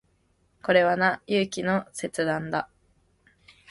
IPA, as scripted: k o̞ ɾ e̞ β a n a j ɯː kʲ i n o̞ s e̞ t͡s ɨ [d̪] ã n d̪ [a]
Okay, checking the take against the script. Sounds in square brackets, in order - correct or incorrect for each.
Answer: correct, correct

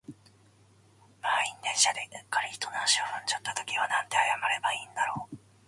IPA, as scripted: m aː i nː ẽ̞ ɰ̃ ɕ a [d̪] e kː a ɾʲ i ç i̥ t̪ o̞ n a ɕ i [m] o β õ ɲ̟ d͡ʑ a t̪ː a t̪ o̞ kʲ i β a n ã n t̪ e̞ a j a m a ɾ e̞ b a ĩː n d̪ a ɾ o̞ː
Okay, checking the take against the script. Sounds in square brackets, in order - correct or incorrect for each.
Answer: correct, incorrect: none

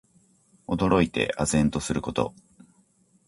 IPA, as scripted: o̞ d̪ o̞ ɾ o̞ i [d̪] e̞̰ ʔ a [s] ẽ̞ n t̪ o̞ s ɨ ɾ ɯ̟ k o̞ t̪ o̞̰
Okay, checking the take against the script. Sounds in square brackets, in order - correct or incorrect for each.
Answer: incorrect: t̪, incorrect: z

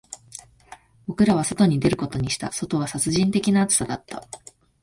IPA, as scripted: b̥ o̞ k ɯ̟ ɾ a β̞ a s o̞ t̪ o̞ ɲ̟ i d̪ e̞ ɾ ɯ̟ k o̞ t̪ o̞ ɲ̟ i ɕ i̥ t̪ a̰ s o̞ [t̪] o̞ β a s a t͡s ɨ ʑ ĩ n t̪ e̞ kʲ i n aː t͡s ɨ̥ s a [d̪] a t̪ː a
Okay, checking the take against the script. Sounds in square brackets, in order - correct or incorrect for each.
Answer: correct, correct

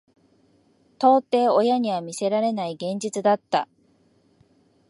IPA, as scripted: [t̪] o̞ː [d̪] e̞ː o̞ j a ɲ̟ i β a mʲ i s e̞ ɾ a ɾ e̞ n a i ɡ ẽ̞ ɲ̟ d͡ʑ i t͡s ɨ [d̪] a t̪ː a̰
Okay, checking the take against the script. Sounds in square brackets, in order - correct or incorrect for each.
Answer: correct, incorrect: t̪, correct

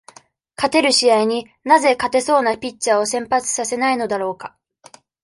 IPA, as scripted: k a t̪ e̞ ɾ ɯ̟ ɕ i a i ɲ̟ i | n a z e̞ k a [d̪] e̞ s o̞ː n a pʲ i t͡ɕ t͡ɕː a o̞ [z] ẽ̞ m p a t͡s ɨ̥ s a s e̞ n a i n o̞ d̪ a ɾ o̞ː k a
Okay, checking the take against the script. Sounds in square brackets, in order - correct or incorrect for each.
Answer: incorrect: t̪, incorrect: s

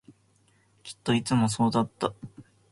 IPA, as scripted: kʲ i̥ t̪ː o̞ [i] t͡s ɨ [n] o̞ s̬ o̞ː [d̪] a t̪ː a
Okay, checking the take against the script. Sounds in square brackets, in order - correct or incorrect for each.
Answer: correct, incorrect: m, correct

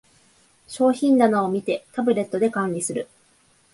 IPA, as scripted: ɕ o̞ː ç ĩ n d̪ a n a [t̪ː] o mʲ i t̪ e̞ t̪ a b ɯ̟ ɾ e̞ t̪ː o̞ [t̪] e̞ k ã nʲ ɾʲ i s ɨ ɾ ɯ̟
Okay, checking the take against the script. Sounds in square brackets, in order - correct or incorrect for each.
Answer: incorrect: none, incorrect: d̪

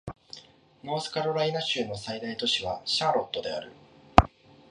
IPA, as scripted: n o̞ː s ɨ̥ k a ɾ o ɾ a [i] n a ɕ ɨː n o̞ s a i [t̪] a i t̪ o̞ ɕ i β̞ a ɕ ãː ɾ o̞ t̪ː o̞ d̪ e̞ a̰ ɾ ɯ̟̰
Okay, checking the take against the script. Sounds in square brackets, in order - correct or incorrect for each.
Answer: correct, incorrect: d̪

